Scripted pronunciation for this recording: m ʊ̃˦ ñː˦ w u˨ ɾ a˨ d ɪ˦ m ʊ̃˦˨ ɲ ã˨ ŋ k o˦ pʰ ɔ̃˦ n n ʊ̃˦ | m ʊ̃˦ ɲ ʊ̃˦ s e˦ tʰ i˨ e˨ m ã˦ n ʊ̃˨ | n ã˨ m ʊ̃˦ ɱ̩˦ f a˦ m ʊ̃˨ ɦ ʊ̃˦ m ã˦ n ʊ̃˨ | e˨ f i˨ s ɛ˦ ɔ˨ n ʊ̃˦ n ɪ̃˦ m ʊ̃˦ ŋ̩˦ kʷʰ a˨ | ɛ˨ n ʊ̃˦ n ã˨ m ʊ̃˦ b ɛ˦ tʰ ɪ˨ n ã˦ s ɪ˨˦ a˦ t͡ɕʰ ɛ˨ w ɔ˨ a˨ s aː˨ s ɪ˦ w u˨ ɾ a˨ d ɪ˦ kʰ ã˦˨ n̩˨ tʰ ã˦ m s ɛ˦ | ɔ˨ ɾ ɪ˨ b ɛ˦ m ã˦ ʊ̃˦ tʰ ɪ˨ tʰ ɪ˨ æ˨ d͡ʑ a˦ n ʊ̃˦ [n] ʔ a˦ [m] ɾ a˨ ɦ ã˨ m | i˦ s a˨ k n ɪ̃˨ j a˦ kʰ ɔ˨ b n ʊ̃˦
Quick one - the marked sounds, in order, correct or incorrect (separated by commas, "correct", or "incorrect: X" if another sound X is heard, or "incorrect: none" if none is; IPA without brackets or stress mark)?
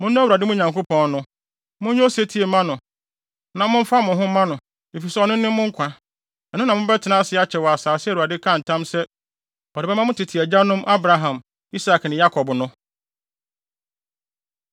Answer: incorrect: m, incorrect: b